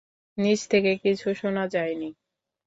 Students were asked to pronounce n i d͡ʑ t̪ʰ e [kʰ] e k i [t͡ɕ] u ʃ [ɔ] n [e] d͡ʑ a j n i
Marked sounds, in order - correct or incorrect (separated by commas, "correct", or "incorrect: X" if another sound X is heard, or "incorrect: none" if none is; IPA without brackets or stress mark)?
incorrect: k, incorrect: t͡ɕʰ, incorrect: o, incorrect: a